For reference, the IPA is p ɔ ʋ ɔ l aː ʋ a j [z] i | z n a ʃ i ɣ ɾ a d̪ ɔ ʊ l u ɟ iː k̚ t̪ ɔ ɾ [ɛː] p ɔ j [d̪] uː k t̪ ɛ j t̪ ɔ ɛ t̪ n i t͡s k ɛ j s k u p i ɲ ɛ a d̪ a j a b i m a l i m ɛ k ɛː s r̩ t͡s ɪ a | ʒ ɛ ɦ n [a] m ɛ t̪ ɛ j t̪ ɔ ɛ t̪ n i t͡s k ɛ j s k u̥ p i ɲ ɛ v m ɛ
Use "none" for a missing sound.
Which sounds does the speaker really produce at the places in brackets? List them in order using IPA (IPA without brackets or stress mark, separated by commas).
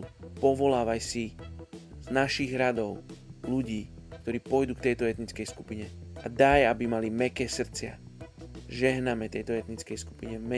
s, iː, d̪, a